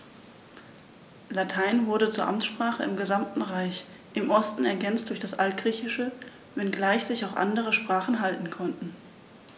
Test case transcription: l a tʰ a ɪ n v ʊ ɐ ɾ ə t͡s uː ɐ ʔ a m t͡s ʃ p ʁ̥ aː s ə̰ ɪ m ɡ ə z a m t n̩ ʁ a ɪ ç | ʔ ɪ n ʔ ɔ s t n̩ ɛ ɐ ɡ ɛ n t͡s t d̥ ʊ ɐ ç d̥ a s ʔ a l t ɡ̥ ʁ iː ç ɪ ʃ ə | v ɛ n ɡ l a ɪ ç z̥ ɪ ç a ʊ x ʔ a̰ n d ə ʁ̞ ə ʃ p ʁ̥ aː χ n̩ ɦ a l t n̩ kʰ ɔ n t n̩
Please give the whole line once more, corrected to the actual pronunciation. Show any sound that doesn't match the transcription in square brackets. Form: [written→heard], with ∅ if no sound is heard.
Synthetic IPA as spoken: l a tʰ a ɪ n v ʊ ɐ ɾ ə t͡s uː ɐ ʔ a m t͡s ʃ p ʁ̥ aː [s→χ] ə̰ ɪ m ɡ ə z a m t n̩ ʁ a ɪ ç | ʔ ɪ [n→m] ʔ ɔ s t n̩ ɛ ɐ ɡ ɛ n t͡s t d̥ ʊ ɐ ç d̥ a s ʔ a l t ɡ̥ ʁ iː ç ɪ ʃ ə | v ɛ n ɡ l a ɪ ç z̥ ɪ ç a ʊ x ʔ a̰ n d ə ʁ̞ ə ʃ p ʁ̥ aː χ n̩ ɦ a l t n̩ kʰ ɔ n t n̩

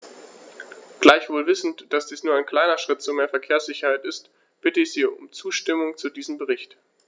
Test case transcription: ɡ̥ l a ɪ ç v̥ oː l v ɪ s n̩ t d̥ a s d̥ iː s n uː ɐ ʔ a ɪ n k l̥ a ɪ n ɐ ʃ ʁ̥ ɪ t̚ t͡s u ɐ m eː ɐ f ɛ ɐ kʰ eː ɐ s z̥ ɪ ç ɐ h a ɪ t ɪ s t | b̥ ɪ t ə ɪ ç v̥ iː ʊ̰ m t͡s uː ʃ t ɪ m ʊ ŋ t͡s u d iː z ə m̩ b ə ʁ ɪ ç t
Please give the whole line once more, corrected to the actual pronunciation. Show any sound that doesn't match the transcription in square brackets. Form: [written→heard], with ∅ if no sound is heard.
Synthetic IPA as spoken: ɡ̥ l a ɪ ç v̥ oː l v ɪ s n̩ t d̥ a s d̥ iː s n uː ɐ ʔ a ɪ n k l̥ a ɪ n ɐ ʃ ʁ̥ ɪ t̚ t͡s u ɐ m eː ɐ f ɛ ɐ kʰ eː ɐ s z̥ ɪ ç ɐ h a ɪ t ɪ s t | b̥ ɪ t ə ɪ ç [v̥→z̥] iː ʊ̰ m t͡s uː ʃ t ɪ m ʊ ŋ t͡s u d iː z ə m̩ b ə ʁ ɪ ç t

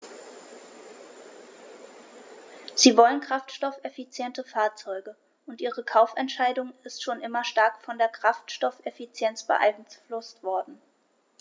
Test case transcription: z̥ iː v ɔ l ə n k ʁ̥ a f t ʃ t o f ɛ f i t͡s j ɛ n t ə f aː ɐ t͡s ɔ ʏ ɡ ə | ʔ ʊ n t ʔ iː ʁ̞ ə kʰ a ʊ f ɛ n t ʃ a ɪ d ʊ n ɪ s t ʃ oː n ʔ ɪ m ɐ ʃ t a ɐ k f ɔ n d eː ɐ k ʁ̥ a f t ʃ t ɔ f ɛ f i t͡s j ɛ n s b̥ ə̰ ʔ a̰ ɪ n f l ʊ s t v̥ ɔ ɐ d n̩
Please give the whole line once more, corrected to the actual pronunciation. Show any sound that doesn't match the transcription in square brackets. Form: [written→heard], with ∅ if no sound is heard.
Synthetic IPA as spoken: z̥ iː v ɔ l ə n k ʁ̥ a f t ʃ t [o→ɔ] f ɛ f i t͡s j ɛ n t ə f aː ɐ t͡s ɔ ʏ ɡ ə | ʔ ʊ n t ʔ iː ʁ̞ ə kʰ a ʊ f ɛ n t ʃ a ɪ d ʊ [n→ŋ] ɪ s t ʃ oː n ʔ ɪ m ɐ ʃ t a ɐ k f ɔ n d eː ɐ k ʁ̥ a f t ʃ t ɔ f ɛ f i t͡s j ɛ n [s→t͡s] b̥ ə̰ ʔ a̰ ɪ n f l ʊ s t v̥ ɔ ɐ d n̩

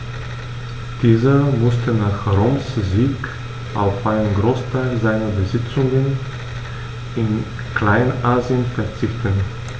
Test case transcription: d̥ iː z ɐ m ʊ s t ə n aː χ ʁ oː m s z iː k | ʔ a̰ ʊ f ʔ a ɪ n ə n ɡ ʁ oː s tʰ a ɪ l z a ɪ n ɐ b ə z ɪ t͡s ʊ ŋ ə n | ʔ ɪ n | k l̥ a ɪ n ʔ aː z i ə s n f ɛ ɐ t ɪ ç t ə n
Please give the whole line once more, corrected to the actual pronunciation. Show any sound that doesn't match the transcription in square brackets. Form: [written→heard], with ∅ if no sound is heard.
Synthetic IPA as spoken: d̥ iː z ɐ m ʊ s t ə n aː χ ʁ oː m s z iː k | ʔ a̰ ʊ f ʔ a ɪ n ə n ɡ ʁ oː s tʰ a ɪ l z a ɪ n ɐ b ə z ɪ t͡s ʊ ŋ ə n | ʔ ɪ n | k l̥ a ɪ n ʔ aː z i ə [s→∅] n f ɛ ɐ [t→t͡s] ɪ ç t ə n

